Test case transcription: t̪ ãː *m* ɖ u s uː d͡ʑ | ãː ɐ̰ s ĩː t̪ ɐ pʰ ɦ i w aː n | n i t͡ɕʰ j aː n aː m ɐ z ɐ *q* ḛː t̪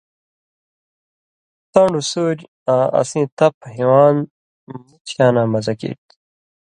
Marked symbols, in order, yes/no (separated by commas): no, no